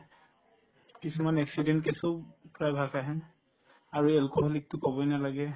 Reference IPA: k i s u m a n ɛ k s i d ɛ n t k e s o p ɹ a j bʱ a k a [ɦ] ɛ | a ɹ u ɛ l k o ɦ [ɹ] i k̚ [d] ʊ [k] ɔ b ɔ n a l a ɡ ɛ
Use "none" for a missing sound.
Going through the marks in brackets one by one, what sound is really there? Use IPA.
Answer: ɦ, l, t, k

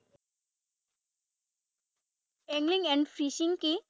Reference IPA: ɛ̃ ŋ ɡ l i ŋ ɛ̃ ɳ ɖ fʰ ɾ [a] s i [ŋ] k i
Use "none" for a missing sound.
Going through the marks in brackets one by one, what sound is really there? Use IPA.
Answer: i, ŋ

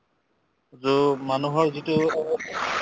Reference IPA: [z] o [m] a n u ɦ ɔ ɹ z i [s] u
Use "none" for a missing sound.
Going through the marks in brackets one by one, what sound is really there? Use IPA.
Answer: z, m, t

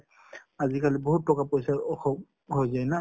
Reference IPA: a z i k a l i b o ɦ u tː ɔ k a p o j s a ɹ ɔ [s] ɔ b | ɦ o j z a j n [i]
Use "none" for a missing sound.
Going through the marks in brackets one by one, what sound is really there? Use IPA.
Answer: x, a

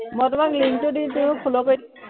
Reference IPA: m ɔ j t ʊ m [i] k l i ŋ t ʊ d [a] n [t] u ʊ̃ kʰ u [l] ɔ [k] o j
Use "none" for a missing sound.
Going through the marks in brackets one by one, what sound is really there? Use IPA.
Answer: a, i, t, l, k

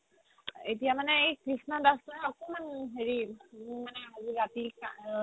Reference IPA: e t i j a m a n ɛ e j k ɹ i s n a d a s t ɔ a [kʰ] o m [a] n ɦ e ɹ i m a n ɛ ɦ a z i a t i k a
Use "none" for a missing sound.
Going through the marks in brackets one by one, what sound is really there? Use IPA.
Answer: k, a

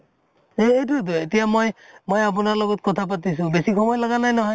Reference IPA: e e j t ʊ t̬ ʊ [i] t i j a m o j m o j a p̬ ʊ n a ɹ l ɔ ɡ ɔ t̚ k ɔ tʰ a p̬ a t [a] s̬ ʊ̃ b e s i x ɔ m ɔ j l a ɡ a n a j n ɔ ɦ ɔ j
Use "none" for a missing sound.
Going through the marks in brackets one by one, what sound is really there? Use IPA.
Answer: e, i

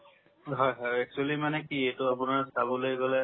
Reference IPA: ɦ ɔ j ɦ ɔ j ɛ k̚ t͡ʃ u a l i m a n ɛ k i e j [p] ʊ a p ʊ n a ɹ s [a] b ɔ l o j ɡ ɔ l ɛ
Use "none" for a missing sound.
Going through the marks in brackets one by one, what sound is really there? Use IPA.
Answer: t, a

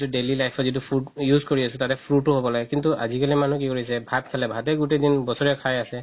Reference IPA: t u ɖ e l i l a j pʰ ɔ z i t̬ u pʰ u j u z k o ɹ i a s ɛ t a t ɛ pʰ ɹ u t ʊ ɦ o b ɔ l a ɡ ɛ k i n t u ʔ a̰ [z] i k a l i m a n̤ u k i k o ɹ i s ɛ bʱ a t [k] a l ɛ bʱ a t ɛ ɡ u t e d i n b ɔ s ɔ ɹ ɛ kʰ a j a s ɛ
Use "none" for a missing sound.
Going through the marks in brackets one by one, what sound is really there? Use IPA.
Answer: z, kʰ

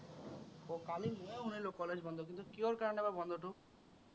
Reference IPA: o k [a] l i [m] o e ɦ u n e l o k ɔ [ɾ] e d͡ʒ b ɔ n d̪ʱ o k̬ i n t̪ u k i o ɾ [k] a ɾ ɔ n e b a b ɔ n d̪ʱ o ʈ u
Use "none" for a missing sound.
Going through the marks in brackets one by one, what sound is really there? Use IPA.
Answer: a, m, l, k

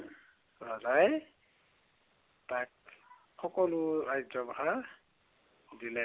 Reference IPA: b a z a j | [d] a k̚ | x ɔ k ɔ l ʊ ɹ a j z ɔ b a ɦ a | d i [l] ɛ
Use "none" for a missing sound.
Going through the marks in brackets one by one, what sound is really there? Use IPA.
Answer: t, l

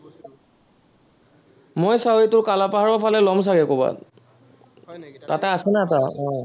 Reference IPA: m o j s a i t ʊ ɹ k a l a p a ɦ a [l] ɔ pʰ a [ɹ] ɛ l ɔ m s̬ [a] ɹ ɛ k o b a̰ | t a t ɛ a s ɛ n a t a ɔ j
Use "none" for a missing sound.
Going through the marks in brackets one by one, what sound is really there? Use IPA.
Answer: ɹ, l, a

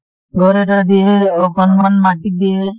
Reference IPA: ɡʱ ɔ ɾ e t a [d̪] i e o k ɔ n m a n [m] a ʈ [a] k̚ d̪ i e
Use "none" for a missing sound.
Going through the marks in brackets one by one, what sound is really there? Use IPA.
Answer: d̪, m, i

